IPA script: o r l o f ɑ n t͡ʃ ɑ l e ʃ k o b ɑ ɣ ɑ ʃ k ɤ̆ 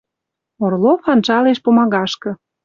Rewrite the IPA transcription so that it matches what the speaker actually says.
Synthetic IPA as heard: o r l o f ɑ n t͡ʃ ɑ l e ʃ p o m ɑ ɣ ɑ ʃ k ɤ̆